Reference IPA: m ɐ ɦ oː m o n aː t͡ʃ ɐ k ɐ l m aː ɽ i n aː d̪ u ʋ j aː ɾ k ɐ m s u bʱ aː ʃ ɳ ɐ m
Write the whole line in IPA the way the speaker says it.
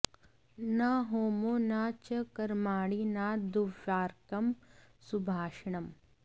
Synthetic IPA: n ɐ ɦ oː m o n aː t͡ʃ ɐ k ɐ ɾ m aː ɽ i n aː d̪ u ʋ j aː ɾ k ɐ m s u bʱ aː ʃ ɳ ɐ m